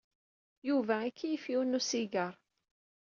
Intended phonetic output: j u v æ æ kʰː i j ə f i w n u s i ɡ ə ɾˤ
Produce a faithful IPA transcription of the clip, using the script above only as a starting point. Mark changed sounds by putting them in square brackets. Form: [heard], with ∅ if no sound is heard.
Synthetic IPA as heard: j u v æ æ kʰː i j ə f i w n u s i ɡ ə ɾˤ